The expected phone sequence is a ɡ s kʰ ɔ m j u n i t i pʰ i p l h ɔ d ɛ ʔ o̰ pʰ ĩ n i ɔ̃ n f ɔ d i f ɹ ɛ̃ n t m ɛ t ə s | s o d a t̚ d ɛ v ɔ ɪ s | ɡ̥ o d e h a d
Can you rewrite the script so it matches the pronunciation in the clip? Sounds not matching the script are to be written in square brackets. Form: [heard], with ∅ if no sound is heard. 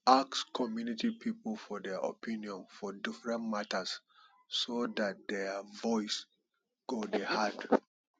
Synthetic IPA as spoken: a [k] s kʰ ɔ m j u n i t i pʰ i p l [f] ɔ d ɛ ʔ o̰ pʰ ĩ n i ɔ̃ n f ɔ d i f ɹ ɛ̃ n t m [a] t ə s | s o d a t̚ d ɛ v ɔ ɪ s | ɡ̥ o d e h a d